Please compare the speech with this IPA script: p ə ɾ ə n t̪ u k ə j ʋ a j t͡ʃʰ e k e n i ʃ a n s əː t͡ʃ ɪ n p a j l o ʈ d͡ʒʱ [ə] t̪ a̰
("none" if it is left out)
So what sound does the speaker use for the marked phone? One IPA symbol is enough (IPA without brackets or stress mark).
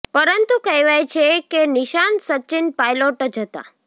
ə